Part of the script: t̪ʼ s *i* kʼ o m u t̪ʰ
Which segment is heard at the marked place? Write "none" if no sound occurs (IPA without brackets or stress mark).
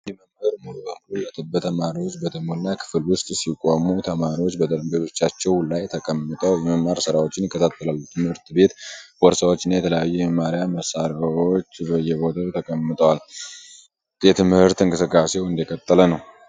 i